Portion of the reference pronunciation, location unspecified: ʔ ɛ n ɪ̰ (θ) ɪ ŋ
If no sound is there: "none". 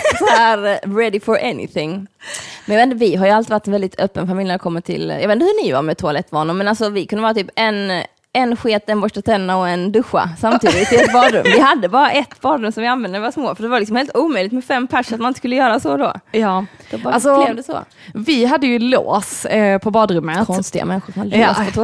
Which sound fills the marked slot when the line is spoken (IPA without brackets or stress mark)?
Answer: θ